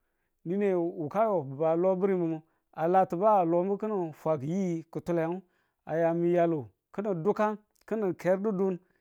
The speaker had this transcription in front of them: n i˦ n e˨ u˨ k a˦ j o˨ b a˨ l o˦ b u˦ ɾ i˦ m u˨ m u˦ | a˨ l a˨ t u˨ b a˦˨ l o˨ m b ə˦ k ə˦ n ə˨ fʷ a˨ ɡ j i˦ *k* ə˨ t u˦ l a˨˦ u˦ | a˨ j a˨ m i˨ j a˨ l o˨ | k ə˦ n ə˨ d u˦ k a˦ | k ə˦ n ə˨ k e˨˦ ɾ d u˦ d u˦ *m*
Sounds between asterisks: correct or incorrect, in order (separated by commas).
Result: correct, incorrect